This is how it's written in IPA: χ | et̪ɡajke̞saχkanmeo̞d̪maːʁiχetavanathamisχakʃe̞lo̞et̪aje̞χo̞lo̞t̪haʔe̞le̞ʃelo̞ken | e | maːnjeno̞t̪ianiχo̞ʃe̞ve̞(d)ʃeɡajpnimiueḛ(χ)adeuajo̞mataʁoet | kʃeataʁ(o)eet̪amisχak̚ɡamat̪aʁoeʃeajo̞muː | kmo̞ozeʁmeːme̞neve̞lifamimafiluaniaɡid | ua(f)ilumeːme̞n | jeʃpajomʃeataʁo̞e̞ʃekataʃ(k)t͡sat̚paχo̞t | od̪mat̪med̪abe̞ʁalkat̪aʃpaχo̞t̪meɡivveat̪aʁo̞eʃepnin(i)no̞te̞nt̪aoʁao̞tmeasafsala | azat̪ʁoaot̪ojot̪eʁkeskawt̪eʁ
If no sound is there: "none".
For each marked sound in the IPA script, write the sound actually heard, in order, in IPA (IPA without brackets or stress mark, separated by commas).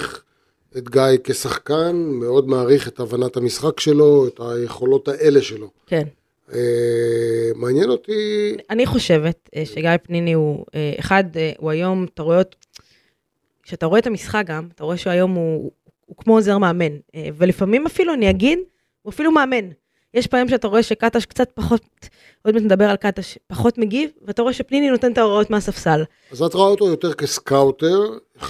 t, χ, o, f, k, i